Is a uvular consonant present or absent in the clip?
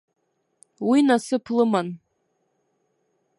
absent